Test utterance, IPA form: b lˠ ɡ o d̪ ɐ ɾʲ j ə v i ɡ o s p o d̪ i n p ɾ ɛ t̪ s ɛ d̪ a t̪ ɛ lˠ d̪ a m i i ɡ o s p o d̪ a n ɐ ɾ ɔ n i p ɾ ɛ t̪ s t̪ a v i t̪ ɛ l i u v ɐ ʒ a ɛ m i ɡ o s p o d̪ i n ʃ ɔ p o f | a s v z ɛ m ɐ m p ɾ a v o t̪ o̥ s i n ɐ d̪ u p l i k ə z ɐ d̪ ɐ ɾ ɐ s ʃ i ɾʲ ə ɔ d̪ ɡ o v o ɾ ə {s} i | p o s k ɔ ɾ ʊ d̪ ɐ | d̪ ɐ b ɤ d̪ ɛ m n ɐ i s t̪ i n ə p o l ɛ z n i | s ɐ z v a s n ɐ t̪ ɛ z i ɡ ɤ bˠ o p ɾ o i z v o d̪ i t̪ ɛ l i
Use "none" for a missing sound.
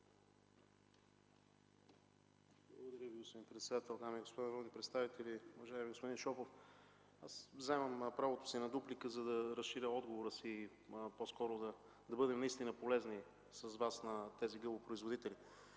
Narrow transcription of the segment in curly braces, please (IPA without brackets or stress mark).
s